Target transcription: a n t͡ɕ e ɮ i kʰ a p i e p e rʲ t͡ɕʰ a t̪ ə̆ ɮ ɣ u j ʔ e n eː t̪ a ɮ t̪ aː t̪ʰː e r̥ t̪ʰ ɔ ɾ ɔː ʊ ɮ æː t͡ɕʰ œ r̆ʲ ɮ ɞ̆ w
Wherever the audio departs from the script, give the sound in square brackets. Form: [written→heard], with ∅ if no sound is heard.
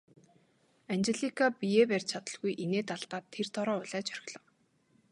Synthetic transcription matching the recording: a n t͡ɕ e ɮ i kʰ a p i e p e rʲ t͡ɕʰ a t̪ ə̆ ɮ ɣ u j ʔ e n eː t̪ a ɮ t̪ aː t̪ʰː e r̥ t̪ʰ ɔ ɾ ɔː ʊ ɮ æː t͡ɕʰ œ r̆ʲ ɮ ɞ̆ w